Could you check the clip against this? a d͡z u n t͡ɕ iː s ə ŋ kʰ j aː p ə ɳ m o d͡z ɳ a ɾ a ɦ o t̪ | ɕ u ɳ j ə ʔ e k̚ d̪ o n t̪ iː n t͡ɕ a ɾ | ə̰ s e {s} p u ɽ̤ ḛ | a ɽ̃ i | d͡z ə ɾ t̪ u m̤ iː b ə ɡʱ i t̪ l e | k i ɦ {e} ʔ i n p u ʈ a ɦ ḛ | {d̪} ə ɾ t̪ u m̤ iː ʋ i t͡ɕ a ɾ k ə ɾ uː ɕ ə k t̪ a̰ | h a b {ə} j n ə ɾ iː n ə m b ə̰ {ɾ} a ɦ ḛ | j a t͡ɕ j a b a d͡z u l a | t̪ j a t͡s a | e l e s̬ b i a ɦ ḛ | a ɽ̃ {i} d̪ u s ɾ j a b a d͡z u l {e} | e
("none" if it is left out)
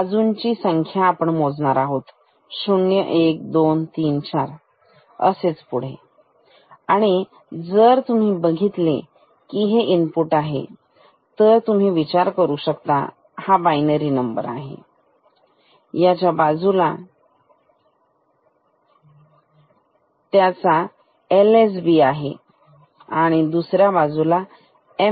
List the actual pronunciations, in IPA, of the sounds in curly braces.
t͡s, e, t̪, a, ɾ, i, a

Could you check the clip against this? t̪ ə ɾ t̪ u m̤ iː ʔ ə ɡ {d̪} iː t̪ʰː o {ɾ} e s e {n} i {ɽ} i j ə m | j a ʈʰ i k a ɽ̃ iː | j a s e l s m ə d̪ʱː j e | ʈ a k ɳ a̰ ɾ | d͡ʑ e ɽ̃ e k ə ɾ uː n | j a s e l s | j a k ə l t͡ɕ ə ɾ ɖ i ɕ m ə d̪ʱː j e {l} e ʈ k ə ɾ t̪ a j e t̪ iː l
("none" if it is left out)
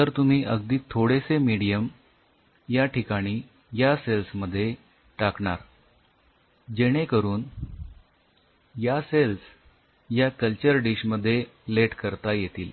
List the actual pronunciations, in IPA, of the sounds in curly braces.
d̪, ɽ, m, ɽ, l

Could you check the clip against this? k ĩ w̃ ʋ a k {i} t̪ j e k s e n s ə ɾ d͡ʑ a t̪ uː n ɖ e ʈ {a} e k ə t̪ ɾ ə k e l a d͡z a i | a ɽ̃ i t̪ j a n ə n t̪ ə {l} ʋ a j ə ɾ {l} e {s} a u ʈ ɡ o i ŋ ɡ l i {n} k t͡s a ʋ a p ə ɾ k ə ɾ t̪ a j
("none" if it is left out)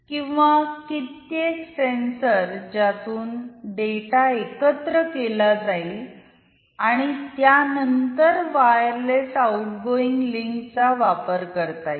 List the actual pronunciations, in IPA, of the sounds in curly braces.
i, a, ɾ, l, s, ŋ

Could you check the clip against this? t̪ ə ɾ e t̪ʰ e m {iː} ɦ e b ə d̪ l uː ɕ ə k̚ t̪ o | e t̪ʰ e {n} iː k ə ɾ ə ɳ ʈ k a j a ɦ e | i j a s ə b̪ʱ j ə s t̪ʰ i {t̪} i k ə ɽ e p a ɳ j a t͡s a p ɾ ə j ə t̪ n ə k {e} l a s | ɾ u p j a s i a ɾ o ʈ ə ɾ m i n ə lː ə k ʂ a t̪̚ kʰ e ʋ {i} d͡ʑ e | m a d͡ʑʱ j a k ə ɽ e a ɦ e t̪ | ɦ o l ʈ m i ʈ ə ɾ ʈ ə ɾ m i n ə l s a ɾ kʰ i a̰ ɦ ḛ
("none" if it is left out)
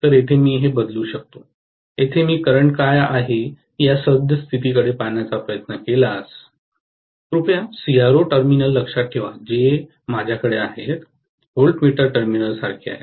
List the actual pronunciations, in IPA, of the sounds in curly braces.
iː, m, t̪, e, a

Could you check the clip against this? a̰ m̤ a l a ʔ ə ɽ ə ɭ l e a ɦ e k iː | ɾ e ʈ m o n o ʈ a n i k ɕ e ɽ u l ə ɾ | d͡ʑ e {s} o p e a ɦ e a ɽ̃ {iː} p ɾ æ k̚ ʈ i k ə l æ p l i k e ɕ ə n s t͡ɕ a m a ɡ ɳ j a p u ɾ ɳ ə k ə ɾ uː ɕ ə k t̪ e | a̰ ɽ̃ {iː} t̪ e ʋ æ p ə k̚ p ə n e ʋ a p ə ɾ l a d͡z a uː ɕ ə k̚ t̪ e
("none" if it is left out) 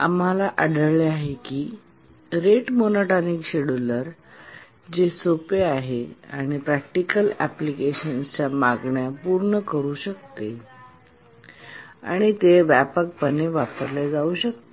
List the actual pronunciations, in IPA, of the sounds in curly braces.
s, i, i

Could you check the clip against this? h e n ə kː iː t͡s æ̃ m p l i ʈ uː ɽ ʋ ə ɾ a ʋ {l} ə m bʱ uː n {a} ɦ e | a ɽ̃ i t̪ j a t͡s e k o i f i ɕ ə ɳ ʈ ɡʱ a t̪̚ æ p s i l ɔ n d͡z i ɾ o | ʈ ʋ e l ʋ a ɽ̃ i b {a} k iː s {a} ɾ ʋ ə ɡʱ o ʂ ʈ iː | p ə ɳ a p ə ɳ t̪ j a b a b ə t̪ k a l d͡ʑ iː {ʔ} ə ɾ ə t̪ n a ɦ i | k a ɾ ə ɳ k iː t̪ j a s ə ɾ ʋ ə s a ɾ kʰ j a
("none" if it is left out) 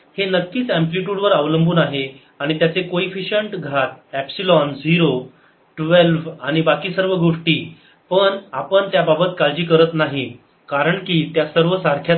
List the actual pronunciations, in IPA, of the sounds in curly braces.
l, a, a, ə, k

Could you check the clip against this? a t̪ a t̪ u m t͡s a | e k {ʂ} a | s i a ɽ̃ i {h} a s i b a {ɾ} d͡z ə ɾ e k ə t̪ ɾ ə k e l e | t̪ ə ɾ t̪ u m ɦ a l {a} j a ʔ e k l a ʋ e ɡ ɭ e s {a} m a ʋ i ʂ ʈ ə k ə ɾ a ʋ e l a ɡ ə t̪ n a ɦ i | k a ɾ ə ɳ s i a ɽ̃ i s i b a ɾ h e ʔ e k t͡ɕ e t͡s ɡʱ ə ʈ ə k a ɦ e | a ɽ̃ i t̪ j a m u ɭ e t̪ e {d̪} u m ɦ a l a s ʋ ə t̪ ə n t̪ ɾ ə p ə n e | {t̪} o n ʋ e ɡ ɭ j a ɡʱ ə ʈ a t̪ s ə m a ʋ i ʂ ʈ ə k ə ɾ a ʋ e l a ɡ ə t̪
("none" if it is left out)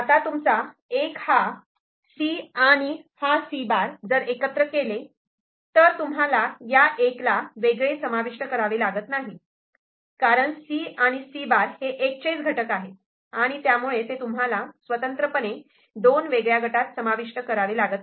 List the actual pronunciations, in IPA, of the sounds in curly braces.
h, h, ɾ, a, ə, t̪, d̪

